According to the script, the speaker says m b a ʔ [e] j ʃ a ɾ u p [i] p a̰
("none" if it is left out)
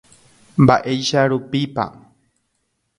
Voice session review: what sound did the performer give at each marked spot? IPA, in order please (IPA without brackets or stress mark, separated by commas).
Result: e, i